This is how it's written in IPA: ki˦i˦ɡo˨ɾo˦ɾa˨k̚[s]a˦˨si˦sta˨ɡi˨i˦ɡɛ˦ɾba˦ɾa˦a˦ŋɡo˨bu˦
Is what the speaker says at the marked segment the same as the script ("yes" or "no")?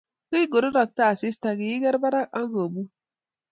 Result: no